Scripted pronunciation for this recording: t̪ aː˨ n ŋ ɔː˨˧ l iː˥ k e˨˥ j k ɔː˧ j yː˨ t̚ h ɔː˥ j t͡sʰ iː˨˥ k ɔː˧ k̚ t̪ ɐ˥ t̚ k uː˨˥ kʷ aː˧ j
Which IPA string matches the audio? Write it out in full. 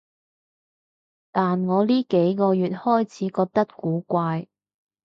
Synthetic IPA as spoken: t̪ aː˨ n ŋ ɔː˨˧ l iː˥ k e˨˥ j k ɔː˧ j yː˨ t̚ h ɔː˥ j t͡sʰ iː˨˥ k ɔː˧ k̚ t̪ ɐ˥ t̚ k uː˨˥ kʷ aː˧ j